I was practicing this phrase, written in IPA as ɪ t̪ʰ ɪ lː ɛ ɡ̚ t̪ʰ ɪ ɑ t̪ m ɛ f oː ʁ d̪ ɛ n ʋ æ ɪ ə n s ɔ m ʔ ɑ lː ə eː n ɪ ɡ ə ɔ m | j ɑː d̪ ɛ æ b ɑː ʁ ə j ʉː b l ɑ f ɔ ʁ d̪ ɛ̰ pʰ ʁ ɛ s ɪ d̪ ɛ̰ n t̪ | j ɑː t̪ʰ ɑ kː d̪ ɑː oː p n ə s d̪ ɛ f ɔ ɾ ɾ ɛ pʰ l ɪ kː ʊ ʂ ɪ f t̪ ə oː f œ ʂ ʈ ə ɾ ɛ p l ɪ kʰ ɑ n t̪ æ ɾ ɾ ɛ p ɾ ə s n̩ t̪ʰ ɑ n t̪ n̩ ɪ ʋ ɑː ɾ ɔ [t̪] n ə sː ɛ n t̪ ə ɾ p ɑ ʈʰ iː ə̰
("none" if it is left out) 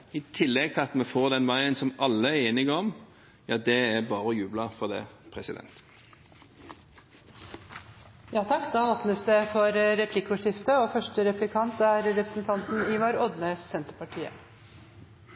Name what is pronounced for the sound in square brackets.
d̪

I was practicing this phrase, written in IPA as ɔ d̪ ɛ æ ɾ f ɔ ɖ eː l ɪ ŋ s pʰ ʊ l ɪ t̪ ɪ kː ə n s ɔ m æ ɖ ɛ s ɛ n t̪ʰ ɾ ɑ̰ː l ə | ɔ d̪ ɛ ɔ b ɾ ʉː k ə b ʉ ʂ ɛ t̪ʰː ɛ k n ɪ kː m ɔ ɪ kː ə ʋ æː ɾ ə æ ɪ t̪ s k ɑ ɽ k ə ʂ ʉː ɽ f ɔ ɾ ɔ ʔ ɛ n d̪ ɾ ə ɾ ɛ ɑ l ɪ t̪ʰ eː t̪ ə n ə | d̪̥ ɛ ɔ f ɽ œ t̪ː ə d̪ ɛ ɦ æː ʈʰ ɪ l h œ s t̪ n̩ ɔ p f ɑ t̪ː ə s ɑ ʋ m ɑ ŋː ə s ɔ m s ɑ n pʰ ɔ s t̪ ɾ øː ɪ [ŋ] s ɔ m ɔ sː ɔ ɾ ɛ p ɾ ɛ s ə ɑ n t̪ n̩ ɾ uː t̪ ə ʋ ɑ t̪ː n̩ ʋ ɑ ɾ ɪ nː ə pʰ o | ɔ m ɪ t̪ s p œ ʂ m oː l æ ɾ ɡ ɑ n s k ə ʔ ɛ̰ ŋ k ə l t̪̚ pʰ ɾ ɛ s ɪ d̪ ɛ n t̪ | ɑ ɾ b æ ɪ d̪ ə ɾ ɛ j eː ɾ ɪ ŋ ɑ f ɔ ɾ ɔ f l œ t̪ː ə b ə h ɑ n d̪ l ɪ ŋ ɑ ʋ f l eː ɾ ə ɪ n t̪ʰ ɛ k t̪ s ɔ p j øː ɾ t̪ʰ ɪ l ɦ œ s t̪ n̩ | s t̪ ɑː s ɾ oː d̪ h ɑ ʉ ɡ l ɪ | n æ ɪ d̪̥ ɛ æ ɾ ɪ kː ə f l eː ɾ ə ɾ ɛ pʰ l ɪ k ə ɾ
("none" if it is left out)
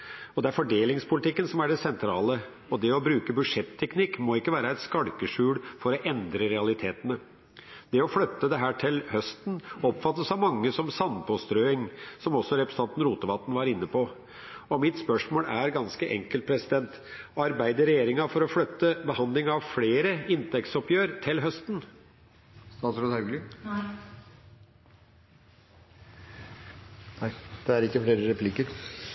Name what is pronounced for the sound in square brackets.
ŋ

